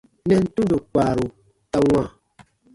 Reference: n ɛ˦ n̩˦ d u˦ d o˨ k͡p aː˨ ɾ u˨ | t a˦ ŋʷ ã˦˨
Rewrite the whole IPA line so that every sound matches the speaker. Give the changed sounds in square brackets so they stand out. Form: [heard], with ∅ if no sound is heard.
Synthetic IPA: n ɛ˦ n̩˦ [t] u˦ d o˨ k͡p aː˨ ɾ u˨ | t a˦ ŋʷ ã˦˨